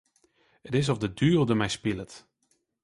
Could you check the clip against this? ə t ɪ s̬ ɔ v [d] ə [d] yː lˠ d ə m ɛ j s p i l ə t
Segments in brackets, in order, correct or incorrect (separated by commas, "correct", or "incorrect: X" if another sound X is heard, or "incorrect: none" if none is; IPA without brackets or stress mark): correct, correct